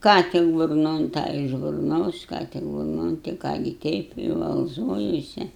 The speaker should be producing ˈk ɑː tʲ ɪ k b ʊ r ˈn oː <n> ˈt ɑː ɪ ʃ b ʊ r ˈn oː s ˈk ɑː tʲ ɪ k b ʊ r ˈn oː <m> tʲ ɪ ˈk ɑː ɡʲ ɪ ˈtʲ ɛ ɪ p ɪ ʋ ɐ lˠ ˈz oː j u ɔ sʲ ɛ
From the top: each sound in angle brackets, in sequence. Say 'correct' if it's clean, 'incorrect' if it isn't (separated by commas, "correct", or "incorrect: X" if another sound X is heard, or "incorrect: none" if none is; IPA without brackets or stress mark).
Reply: correct, incorrect: n